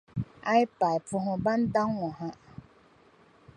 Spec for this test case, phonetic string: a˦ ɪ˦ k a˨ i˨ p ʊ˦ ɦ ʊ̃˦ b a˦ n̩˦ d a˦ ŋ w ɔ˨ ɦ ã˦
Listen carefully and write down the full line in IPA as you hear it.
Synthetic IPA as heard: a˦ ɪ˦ p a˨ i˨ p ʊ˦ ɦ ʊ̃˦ b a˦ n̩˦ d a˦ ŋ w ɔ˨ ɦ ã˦